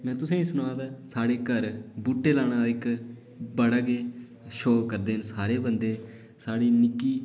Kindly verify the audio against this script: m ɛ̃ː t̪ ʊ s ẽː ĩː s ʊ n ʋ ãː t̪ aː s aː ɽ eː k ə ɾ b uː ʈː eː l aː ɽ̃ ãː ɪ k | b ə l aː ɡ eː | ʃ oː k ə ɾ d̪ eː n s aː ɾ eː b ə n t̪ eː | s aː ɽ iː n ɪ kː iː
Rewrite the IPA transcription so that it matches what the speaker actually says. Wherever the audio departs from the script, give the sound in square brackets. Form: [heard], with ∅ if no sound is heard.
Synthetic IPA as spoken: m ɛ̃ː t̪ ʊ s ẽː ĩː s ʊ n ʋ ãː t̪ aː s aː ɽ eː k ə ɾ b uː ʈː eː l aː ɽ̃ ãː ɪ k | b ə [ɽ] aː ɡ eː | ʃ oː k ə ɾ d̪ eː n s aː ɾ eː b ə n [d̪] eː | s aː ɽ iː n ɪ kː iː